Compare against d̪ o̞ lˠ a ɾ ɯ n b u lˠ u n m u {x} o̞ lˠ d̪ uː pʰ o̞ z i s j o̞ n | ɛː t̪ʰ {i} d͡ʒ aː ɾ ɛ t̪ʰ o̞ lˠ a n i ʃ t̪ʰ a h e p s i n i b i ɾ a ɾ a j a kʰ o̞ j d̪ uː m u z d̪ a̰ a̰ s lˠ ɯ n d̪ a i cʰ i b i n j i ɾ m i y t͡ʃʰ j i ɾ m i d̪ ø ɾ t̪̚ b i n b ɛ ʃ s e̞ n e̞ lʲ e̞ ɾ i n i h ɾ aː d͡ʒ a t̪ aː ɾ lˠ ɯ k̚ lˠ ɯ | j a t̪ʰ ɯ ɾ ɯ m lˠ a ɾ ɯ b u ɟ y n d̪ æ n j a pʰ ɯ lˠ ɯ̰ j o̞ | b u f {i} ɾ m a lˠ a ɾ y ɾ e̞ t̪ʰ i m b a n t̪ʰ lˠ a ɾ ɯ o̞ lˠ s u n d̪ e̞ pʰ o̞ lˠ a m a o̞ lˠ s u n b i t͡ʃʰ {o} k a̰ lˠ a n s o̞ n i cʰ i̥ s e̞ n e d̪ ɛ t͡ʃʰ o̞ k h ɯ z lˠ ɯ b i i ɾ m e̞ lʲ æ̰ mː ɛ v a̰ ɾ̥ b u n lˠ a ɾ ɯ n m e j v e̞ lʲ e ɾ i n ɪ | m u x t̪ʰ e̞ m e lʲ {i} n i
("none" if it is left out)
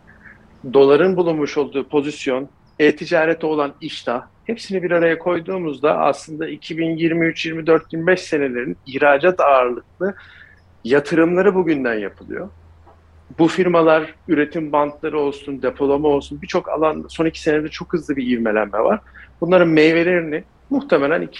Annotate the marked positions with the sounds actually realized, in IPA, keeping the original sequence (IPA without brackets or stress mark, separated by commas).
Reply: ʃ, i, i, o, æ